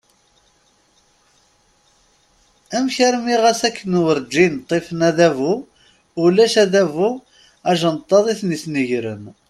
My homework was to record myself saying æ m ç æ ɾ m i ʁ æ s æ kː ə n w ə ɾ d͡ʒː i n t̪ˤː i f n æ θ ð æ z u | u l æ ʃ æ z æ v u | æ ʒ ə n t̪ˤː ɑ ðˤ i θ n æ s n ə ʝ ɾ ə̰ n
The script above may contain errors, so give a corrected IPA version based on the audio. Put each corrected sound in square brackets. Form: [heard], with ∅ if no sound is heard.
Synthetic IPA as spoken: æ m ç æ ɾ m i ʁ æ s æ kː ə n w ə ɾ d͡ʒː i n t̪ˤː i f n æ [∅] ð æ [v] u | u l æ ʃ æ [ð] æ v u | æ ʒ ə n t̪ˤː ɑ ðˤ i θ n [i] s n ə ʝ ɾ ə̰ n